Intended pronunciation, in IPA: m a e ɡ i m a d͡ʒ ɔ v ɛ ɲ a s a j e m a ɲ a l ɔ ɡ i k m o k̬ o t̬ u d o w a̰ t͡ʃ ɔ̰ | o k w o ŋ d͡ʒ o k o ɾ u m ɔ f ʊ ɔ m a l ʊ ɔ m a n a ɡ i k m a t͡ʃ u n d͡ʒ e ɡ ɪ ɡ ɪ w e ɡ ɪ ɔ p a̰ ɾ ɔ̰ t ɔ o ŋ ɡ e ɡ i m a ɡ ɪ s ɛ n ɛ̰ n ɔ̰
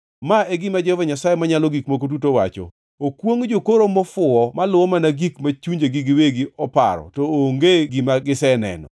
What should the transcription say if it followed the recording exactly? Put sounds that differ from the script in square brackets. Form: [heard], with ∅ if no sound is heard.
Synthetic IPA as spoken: m a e ɡ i m a d͡ʒ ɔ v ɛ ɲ a s a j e m a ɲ a l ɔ ɡ i k m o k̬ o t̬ u [t] o w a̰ t͡ʃ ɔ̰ | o k w o ŋ d͡ʒ o k o ɾ [o] m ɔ f ʊ ɔ m a l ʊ ɔ m a n a ɡ i k m a t͡ʃ u [ɲ] d͡ʒ e ɡ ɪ ɡ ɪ w e ɡ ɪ ɔ p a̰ ɾ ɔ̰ t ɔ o ŋ ɡ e ɡ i m a ɡ ɪ s ɛ n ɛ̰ n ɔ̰